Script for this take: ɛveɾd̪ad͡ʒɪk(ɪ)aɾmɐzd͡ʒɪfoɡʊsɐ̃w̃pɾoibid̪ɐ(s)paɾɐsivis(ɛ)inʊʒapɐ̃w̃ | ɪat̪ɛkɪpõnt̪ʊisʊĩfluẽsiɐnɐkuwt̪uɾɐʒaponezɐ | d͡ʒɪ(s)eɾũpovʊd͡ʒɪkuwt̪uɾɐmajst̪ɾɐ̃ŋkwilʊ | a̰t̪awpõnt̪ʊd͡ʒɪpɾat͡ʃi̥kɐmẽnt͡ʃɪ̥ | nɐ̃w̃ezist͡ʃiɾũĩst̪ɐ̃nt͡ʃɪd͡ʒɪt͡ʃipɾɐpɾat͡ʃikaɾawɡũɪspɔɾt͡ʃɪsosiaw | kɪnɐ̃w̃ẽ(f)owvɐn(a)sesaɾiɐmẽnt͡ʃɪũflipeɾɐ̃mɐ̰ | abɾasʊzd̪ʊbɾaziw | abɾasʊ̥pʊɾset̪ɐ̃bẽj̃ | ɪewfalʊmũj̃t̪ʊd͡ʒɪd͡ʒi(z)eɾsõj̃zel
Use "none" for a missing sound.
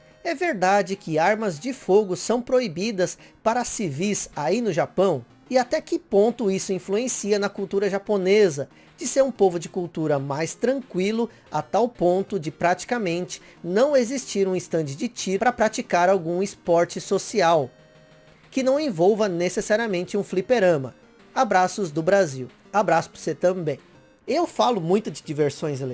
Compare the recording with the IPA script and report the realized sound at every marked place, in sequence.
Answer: ɪ, s, a, s, v, e, v

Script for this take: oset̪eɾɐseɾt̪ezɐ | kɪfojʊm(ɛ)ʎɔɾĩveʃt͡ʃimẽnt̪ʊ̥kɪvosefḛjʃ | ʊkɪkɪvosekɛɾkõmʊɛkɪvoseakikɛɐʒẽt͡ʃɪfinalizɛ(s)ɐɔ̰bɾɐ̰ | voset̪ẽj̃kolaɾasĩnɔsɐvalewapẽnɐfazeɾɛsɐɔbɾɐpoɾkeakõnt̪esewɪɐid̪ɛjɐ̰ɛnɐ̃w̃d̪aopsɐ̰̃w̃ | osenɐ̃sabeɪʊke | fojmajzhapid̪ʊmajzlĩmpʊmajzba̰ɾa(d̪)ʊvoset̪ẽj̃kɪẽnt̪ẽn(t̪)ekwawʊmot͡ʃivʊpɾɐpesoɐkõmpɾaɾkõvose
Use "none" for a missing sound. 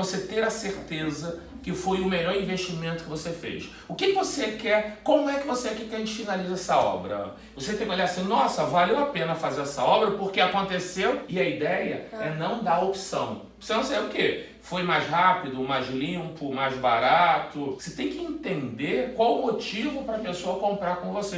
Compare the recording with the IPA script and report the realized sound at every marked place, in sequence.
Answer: e, s, t̪, d̪

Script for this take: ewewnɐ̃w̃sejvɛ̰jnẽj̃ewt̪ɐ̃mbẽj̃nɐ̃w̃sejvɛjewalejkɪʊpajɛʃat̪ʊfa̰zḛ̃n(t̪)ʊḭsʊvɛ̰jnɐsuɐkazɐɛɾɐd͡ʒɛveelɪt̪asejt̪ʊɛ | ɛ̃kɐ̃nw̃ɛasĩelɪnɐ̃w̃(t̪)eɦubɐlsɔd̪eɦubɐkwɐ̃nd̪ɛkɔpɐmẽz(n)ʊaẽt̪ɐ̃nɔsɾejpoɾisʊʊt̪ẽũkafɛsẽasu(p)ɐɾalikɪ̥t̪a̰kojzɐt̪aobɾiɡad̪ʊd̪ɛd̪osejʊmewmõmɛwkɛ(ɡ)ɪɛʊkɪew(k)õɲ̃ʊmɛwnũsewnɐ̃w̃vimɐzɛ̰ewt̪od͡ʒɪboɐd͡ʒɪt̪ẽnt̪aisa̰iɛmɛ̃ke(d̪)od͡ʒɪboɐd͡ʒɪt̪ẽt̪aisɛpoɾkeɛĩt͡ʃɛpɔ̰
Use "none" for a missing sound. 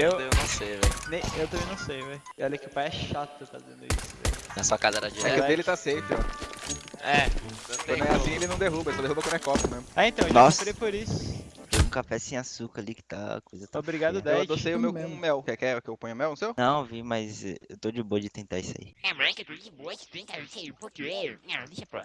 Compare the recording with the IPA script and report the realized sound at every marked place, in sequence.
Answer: d̪, d̪, m, k, k, p, t̪

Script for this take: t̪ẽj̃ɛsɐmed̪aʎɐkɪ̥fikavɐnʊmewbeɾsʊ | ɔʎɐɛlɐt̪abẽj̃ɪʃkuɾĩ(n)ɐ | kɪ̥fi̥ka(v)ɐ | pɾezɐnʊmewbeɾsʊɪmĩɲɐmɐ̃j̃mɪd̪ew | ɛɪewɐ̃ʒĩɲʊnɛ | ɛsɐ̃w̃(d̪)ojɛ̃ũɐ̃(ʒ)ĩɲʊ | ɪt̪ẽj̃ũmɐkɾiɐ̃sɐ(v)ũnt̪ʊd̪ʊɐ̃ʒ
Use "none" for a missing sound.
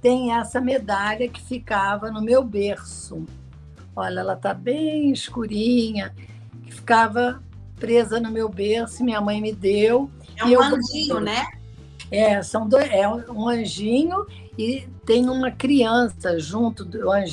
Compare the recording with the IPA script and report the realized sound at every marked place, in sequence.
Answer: ɲ, v, d̪, ʒ, ʒ

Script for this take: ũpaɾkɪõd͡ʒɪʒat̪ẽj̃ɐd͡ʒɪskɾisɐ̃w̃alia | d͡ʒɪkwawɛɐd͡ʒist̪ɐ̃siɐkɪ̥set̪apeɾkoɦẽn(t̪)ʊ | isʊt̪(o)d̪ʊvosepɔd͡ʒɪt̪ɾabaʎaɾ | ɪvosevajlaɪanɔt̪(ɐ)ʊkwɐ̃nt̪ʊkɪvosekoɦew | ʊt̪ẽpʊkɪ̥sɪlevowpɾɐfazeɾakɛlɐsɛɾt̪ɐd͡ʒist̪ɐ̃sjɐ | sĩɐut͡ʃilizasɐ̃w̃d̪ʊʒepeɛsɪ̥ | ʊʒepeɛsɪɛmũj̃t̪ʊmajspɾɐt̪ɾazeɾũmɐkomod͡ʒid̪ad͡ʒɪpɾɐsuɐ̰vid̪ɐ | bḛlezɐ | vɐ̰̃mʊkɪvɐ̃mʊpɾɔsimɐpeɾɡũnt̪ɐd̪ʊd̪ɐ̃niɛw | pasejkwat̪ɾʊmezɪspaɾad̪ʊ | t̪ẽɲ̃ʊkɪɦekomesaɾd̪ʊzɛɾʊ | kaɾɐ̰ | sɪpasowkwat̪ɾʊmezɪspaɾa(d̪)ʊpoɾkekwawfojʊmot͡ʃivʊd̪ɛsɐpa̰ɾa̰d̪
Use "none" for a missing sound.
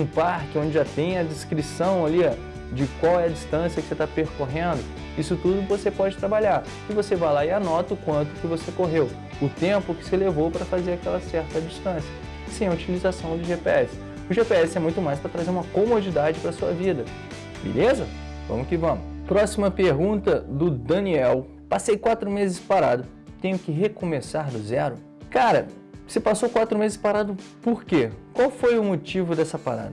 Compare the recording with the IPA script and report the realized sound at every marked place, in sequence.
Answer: d̪, u, ɐ, d̪

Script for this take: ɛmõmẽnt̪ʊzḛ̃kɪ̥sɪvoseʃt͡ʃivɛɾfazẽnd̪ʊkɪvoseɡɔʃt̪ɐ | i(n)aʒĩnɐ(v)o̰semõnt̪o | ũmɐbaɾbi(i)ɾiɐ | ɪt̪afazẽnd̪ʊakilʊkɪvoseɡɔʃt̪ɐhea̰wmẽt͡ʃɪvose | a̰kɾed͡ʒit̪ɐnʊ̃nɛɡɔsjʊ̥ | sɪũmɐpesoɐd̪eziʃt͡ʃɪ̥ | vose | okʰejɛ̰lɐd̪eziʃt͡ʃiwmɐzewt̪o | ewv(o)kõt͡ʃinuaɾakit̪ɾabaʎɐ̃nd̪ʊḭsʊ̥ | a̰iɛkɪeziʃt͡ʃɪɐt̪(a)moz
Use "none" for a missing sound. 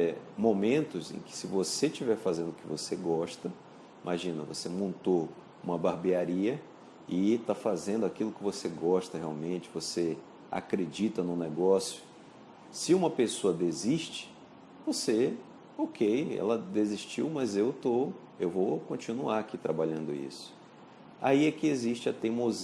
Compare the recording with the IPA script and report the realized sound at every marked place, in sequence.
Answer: m, v, a, o, e

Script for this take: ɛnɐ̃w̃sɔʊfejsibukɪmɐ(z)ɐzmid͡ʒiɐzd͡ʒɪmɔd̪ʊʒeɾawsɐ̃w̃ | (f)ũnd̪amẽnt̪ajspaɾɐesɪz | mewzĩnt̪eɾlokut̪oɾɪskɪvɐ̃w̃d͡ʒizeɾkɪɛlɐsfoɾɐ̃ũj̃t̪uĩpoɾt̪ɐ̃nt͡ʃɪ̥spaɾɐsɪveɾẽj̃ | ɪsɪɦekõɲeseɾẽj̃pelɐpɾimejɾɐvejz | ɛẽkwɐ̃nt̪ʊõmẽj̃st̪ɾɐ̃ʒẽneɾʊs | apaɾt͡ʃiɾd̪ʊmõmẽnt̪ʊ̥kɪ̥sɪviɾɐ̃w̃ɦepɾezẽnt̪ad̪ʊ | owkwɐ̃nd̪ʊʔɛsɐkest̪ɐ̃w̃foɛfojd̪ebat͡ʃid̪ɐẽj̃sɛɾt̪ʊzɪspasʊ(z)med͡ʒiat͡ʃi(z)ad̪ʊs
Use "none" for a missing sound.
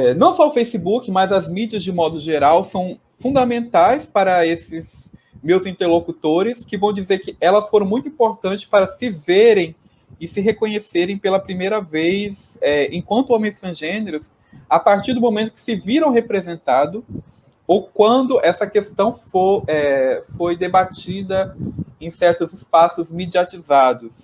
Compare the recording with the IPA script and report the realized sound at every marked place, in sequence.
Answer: z, f, z, z

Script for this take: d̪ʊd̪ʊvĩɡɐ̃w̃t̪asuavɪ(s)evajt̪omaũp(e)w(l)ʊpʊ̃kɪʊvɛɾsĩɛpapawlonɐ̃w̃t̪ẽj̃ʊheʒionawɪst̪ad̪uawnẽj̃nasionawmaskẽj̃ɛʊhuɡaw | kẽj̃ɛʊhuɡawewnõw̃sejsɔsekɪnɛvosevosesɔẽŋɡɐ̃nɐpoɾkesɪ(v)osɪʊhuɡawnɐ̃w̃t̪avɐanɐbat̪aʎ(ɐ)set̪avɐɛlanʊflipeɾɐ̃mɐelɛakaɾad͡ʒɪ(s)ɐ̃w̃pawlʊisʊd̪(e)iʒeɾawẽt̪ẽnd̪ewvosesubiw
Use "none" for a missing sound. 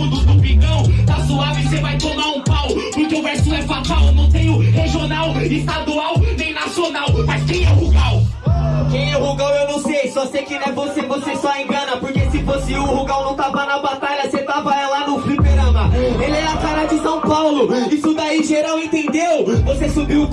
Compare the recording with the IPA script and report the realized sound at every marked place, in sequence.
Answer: s, a, l, f, ɐ, s, a

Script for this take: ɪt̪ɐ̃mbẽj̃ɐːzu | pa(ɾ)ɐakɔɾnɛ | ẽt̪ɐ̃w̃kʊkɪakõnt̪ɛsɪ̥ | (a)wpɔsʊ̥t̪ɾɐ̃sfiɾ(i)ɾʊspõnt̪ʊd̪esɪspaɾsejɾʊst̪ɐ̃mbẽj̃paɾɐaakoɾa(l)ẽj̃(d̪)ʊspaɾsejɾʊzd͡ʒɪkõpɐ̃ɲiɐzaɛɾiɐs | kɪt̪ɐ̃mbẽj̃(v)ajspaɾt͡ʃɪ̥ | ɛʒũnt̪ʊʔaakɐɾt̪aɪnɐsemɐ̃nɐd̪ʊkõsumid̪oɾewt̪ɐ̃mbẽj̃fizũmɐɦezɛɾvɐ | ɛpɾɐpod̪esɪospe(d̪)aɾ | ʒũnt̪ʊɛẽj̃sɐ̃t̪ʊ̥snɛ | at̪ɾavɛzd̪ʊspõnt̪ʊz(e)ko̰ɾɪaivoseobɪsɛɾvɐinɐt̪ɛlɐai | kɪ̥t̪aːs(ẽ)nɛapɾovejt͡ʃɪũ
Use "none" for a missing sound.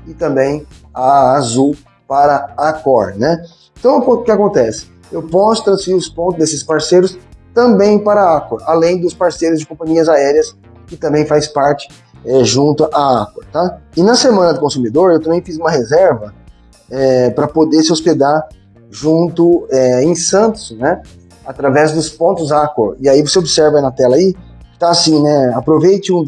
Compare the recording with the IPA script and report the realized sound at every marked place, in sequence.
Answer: ɾ, e, i, l, d̪, f, d̪, a, ĩ

